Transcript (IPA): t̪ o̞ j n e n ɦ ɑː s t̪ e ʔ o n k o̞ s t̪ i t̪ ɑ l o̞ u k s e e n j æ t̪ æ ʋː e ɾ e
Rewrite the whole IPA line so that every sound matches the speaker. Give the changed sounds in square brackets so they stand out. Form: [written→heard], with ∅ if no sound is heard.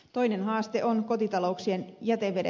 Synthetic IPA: t̪ o̞ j n e n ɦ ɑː s t̪ e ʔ o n k o̞ [s→∅] t̪ i t̪ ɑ l o̞ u k s [e→i] e n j æ t̪ [æ→e] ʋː e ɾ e